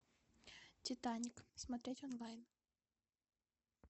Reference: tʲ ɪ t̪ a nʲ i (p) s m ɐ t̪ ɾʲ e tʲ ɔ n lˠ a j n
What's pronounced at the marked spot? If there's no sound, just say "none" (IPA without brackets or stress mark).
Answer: k